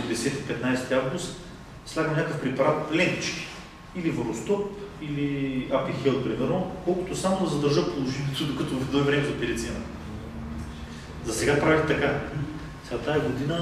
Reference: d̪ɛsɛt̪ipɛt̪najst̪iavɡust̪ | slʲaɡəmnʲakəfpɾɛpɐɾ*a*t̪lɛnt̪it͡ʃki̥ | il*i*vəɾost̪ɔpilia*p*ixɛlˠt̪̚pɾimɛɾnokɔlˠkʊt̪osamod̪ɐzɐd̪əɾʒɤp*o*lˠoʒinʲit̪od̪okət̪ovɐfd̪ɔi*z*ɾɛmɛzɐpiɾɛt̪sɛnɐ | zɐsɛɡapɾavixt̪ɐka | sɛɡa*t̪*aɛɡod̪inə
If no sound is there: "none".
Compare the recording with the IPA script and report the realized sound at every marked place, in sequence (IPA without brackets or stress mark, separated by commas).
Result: a, i, p, o, v, t̪